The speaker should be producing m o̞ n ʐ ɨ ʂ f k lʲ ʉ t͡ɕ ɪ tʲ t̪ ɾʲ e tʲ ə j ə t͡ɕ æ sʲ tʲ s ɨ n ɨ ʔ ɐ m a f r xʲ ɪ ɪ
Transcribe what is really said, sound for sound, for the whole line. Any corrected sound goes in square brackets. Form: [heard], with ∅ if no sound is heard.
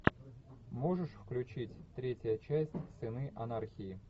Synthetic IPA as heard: m o̞ [∅] ʐ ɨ ʂ f k lʲ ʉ t͡ɕ [i] tʲ t̪ ɾʲ e tʲ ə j ə t͡ɕ æ sʲ tʲ s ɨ n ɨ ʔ ɐ [n] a [∅] r xʲ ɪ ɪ